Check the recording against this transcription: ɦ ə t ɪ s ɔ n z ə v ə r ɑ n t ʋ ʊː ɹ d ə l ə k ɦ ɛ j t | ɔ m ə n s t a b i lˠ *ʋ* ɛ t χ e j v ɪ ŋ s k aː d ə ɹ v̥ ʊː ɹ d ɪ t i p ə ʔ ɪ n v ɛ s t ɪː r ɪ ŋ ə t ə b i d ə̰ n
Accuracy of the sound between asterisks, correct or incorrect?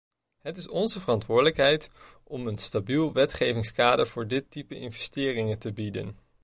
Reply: correct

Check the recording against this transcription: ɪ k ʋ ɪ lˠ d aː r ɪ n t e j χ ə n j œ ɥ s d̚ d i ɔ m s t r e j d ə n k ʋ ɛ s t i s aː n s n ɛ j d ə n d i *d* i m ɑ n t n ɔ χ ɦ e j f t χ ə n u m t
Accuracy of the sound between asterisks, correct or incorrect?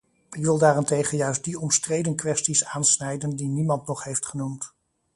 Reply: incorrect: n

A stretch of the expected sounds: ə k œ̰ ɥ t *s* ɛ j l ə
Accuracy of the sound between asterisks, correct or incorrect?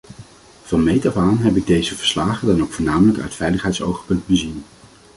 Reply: incorrect: f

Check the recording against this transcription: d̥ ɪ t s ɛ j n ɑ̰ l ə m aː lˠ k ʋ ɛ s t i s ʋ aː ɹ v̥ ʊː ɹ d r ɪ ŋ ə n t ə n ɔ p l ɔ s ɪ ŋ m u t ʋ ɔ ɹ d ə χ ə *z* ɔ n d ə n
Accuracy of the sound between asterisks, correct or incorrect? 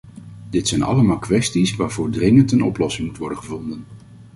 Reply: incorrect: v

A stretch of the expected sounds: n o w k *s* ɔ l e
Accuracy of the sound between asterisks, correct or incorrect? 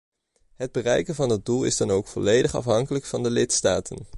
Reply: incorrect: f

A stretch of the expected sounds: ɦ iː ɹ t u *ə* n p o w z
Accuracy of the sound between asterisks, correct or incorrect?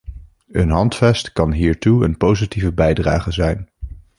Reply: correct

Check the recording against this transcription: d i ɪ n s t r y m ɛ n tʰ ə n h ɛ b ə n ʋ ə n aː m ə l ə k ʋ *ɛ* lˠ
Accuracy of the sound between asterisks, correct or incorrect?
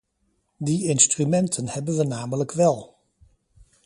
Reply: correct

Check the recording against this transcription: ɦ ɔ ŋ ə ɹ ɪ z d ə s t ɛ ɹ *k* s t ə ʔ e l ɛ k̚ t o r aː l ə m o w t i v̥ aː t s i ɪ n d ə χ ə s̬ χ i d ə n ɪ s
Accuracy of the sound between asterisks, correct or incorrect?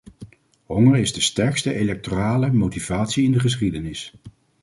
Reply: correct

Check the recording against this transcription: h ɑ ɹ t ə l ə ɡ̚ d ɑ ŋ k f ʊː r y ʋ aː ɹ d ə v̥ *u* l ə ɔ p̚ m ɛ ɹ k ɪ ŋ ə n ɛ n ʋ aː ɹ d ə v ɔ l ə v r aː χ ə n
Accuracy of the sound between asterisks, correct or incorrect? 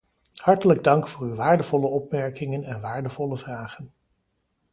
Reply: incorrect: ɔ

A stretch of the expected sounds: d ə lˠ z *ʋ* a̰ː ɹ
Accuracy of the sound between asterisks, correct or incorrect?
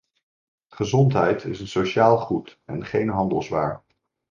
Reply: correct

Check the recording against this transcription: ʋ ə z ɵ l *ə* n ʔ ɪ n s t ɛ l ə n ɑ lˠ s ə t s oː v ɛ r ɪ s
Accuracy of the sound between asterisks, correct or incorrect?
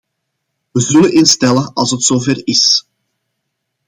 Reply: correct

